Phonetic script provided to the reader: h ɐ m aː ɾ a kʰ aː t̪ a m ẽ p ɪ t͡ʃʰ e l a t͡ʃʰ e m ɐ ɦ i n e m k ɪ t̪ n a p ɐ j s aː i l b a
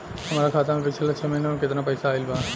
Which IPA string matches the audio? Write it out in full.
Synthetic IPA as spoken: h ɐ m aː ɾ a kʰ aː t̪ a m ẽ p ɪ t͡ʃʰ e l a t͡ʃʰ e m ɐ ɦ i n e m k ɪ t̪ n a p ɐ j s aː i l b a